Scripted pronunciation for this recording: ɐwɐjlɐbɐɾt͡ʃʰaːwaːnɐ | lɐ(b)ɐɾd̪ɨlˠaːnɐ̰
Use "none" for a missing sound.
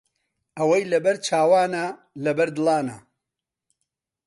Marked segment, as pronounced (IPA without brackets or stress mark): b